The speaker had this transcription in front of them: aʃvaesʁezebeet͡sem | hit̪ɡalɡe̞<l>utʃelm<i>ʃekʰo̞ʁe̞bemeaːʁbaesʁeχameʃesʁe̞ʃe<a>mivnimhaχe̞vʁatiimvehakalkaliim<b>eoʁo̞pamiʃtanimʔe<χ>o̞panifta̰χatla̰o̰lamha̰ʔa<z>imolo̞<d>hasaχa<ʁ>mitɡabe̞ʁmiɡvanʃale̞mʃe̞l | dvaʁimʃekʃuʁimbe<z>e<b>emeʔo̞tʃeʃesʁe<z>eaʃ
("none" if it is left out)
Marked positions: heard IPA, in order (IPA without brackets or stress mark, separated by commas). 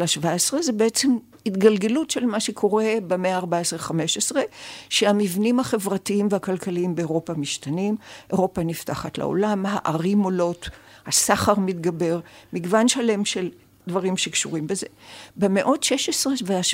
l, a, a, b, ʁ, ʁ, t, ʁ, z, b, v